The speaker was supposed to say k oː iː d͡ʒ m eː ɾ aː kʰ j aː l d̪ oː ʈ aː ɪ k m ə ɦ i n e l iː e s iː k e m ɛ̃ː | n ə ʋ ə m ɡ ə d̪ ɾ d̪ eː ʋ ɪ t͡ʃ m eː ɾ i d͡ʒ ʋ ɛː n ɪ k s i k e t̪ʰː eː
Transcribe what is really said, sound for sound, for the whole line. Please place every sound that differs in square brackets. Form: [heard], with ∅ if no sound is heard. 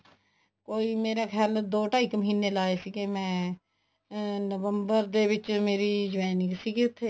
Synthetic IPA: k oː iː [∅] m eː ɾ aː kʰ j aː l d̪ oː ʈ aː ɪ k m ə ɦ [iː] n e l [aː] e s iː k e m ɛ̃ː | n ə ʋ ə m [b] ə [∅] ɾ d̪ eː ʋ ɪ t͡ʃ m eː ɾ i d͡ʒ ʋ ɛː n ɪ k s i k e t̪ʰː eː